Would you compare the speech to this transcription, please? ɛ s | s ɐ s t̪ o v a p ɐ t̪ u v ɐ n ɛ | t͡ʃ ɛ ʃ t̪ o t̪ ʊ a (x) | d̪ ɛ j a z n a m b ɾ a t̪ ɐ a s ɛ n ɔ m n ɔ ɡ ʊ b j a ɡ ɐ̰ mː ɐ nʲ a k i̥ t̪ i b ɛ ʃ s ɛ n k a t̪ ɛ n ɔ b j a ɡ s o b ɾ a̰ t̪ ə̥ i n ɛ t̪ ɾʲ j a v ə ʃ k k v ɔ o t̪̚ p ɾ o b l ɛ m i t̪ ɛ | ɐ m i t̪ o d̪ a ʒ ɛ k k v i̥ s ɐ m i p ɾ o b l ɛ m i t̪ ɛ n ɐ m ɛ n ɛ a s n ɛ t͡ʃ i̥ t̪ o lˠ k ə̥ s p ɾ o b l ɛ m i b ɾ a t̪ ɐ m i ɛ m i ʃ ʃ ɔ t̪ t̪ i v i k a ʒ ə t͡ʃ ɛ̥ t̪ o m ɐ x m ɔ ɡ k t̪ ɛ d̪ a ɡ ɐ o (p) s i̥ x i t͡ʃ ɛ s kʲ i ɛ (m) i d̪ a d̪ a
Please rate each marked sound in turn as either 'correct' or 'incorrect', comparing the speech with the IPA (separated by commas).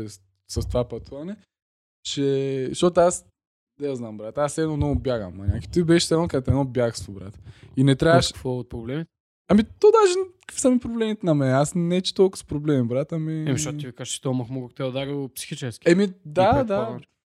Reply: incorrect, correct, correct